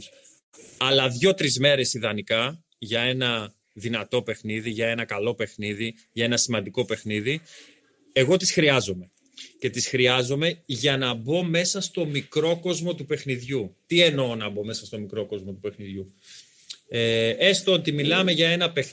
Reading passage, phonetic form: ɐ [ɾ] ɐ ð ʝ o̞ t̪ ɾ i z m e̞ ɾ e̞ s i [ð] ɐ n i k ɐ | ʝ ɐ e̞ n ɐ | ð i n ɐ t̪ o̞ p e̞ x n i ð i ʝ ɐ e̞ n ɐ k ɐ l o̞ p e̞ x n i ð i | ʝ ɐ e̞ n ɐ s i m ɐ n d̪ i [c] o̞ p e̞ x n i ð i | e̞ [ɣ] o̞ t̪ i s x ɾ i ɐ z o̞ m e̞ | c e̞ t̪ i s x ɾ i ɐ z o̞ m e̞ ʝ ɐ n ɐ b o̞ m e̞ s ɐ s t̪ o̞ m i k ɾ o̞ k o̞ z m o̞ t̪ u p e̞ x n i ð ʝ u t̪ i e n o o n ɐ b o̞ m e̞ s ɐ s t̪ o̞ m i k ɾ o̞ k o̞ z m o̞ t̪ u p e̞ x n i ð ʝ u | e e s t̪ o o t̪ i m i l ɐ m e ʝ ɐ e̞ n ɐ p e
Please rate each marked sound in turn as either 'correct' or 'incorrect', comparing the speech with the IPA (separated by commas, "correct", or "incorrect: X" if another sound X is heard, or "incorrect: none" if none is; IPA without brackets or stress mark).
incorrect: l, correct, incorrect: k, correct